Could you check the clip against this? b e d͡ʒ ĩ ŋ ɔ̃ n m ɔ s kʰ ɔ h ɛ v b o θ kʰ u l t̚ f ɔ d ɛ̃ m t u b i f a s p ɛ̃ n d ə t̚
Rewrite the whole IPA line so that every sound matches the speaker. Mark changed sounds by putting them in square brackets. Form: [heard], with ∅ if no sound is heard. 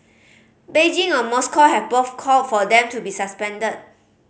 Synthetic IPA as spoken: b e d͡ʒ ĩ ŋ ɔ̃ n m ɔ s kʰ ɔ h ɛ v b o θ kʰ [ɔ] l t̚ f ɔ d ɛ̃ m t u b i [s] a s p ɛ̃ n d ə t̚